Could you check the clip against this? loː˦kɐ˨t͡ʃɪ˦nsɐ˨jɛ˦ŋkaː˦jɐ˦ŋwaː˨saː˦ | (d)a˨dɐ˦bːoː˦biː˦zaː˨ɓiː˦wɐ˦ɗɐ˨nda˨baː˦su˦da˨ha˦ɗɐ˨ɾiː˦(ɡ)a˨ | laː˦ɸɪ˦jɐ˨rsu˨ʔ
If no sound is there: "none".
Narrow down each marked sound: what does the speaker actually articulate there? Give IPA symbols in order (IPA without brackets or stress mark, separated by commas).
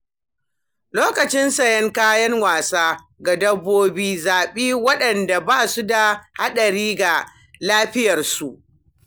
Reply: ɡ, ɡ